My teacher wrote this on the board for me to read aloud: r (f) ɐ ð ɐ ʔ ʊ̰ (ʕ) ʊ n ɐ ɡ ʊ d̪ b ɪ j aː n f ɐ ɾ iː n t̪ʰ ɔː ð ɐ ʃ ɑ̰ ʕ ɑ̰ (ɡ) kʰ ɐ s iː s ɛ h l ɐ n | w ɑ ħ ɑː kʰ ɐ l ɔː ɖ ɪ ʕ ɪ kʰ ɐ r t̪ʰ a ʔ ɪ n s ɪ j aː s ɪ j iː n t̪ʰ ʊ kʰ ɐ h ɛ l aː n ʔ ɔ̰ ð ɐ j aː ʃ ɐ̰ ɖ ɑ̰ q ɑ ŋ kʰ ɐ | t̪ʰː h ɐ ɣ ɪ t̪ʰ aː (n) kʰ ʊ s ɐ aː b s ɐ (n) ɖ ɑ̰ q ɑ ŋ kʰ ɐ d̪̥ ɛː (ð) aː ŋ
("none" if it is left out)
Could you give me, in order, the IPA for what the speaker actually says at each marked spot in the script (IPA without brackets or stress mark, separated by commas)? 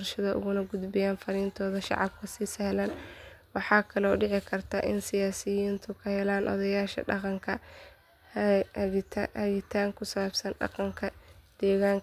ʃ, ɣ, b, ŋ, n, ɣ